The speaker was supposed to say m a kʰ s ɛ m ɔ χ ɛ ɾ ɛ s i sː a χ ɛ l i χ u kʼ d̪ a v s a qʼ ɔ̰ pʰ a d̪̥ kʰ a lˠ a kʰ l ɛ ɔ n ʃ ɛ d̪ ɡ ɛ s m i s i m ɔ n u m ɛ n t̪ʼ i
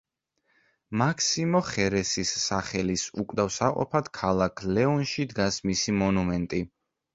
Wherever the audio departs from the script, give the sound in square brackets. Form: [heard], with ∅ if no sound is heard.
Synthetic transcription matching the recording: m a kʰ s [i] m ɔ χ ɛ ɾ ɛ s i sː a χ ɛ l i [s] u kʼ d̪ a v s a qʼ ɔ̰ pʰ a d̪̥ kʰ a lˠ a kʰ l ɛ ɔ n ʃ [i] d̪ ɡ [a] s m i s i m ɔ n u m ɛ n t̪ʼ i